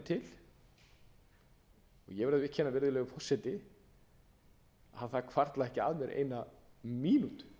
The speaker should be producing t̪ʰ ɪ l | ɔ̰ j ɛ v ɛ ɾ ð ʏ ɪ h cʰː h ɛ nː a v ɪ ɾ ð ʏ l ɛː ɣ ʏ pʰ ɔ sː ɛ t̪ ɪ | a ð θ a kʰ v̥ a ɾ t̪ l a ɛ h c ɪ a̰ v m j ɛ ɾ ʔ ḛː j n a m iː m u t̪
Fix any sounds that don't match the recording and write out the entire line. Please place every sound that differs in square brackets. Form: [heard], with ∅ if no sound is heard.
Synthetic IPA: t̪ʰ ɪ l | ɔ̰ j ɛ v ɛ ɾ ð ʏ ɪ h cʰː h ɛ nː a v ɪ ɾ ð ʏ l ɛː ɣ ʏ pʰ ɔ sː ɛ t̪ ɪ | a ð θ a kʰ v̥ a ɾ t̪ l a ɛ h c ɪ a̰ [ð] m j ɛ ɾ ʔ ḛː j n a m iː [n] u t̪